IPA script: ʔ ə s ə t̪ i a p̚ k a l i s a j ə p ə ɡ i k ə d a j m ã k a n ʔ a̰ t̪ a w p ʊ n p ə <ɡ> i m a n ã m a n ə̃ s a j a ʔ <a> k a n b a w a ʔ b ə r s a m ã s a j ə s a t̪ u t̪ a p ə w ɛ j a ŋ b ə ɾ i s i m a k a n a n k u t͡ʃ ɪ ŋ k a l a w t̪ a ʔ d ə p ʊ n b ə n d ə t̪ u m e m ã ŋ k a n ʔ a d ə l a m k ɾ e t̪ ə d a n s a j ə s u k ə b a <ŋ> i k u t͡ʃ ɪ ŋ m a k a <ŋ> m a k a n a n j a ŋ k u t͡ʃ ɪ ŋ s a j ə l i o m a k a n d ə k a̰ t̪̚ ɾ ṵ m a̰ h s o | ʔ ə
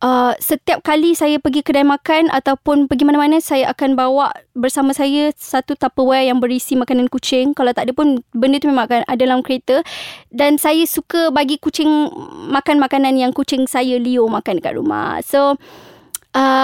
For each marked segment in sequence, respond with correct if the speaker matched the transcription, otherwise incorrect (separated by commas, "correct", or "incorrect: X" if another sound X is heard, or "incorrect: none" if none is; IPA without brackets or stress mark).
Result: correct, correct, incorrect: ɡ, incorrect: n